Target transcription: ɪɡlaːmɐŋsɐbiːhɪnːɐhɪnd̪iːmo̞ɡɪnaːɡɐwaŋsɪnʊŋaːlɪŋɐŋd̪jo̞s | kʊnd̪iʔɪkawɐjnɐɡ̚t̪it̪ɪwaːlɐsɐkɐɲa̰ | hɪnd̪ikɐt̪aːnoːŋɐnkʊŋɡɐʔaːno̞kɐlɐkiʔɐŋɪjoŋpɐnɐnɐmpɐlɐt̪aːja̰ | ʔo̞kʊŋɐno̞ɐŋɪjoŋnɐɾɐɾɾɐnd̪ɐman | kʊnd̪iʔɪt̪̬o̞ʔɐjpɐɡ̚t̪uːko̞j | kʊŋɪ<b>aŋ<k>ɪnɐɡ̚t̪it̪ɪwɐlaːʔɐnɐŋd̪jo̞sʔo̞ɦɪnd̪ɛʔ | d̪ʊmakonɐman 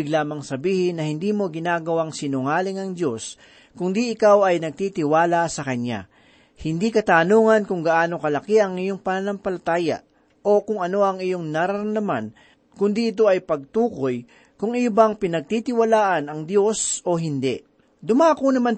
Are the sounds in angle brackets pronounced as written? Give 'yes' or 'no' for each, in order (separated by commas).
yes, no